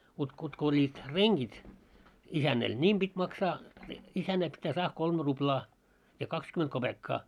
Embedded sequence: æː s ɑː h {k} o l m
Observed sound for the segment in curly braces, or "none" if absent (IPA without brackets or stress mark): k